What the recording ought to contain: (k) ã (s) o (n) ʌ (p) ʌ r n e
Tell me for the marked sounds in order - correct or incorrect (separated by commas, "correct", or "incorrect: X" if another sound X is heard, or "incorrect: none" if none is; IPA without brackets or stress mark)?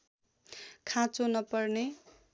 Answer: incorrect: kʰ, incorrect: t͡s, correct, correct